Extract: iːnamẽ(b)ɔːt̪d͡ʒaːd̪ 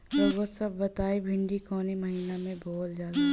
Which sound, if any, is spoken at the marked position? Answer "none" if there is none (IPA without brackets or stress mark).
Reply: b